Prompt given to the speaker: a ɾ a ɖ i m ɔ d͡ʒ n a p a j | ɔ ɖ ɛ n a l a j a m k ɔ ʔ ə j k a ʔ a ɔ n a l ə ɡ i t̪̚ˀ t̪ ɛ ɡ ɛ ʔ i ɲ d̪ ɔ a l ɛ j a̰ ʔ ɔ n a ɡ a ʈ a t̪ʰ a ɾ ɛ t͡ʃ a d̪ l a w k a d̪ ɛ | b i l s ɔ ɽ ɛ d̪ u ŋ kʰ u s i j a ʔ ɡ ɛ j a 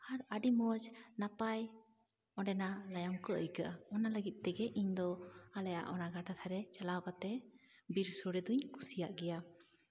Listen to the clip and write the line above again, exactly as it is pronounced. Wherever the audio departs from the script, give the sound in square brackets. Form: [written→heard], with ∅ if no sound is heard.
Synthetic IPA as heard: a ɾ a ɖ i m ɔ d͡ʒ n a p a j | ɔ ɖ ɛ n a l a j a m k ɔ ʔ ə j k a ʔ a ɔ n a l ə ɡ i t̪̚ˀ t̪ ɛ ɡ ɛ ʔ i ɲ d̪ ɔ a l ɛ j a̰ ʔ ɔ n a ɡ a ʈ a t̪ʰ a ɾ ɛ t͡ʃ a [d̪→∅] l a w k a [d̪→t̪] ɛ | b i [l→ɾ] s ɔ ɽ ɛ d̪ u [ŋ→ɲ] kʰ u s i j a ʔ ɡ ɛ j a